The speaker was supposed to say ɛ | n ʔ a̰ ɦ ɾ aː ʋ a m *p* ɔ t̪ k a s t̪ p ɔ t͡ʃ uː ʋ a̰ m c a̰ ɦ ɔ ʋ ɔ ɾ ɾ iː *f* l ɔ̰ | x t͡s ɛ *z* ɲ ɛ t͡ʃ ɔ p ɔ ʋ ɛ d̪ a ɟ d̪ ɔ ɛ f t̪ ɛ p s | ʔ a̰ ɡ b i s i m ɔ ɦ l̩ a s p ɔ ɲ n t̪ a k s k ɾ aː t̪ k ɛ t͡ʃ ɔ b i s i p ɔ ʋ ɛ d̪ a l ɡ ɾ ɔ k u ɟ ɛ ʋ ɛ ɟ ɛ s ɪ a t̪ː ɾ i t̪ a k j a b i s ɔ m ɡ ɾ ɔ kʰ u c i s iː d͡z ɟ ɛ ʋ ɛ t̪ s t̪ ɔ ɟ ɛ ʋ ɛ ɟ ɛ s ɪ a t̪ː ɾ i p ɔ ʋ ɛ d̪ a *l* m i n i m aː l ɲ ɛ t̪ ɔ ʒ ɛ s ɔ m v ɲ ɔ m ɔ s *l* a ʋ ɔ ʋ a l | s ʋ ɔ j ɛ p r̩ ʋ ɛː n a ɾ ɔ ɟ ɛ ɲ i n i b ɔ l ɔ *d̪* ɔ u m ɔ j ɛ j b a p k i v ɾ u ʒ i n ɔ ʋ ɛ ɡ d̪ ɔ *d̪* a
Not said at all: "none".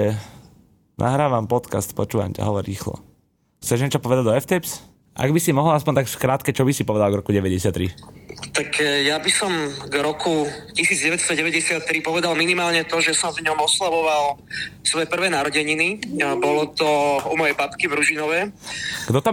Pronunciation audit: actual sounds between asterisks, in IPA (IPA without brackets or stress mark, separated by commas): p, x, ʒ, l, l, t̪, t̪